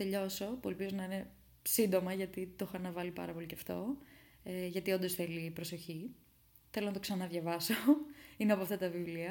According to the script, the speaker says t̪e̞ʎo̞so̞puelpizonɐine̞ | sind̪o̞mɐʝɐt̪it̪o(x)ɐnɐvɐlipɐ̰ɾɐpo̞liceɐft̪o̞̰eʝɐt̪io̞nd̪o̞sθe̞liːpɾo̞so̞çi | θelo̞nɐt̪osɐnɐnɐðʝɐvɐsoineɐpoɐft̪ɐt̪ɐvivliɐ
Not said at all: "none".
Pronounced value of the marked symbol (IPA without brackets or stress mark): x